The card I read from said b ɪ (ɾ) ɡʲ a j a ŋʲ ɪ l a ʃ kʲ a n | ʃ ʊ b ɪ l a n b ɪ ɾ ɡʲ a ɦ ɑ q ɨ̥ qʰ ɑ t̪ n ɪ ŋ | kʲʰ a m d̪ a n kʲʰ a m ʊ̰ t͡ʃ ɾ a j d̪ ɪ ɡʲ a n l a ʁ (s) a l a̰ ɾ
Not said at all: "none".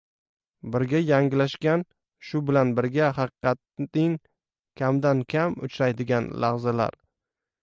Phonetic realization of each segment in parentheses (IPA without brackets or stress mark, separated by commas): ɾ, z